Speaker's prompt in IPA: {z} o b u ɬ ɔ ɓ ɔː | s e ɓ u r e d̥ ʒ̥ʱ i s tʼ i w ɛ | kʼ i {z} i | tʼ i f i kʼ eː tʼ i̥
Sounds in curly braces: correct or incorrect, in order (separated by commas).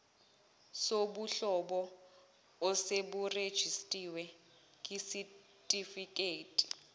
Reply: incorrect, incorrect